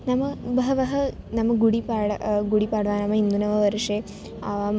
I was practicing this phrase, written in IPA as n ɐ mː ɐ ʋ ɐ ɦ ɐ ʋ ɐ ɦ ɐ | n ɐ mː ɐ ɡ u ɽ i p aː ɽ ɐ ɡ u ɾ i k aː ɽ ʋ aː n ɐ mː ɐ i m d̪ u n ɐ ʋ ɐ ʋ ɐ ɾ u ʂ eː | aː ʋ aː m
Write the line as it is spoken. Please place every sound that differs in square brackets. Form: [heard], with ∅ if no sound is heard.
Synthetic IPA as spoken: n ɐ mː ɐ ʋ ɐ ɦ ɐ ʋ ɐ ɦ ɐ | n ɐ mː ɐ ɡ u ɽ i p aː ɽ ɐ ɡ u [ɽ] i [p] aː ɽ ʋ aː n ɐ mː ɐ i [n] d̪ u n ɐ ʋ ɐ ʋ ɐ ɾ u ʂ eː | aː ʋ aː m